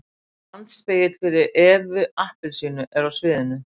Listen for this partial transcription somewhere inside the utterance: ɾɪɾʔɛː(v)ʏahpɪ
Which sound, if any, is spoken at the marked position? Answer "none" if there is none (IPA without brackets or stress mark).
v